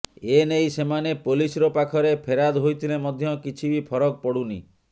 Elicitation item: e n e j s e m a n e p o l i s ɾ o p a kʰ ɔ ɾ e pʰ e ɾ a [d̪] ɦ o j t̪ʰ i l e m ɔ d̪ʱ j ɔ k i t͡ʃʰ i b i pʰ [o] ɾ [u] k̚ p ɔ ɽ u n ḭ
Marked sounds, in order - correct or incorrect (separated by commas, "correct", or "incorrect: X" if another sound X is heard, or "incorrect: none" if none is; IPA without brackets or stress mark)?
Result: correct, incorrect: ɔ, incorrect: ɔ